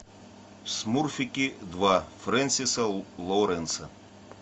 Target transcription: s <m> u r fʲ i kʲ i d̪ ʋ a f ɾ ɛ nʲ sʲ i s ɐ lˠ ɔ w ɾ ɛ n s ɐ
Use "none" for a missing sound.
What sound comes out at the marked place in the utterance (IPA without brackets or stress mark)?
m